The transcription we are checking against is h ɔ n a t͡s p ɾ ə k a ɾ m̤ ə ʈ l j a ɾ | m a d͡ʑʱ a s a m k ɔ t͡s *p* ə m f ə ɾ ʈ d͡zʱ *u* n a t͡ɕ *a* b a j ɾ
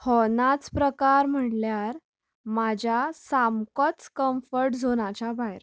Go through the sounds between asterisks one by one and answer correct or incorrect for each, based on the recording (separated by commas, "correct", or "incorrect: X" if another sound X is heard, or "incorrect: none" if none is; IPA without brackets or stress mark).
incorrect: k, incorrect: o, correct